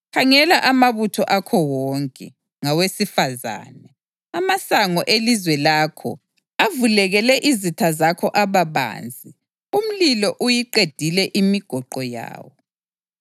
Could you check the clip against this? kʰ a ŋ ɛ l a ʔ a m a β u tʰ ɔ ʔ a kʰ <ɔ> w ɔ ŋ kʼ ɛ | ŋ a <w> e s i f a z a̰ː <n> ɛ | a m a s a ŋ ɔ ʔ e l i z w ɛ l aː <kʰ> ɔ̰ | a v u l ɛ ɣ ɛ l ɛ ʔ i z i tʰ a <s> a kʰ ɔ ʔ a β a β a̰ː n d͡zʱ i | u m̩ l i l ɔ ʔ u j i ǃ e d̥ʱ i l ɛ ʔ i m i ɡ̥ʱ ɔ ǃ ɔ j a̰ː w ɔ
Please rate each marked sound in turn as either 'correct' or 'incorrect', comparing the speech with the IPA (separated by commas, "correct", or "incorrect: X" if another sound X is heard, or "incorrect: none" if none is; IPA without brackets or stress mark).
correct, correct, correct, correct, incorrect: z